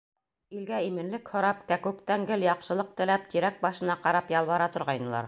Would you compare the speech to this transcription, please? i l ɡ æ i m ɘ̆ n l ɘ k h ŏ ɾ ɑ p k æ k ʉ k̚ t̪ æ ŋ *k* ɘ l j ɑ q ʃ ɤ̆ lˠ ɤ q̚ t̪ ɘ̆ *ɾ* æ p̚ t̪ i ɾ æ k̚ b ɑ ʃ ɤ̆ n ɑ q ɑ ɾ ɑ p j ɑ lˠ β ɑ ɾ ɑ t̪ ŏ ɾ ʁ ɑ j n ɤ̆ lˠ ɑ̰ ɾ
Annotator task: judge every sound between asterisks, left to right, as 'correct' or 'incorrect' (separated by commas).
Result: incorrect, incorrect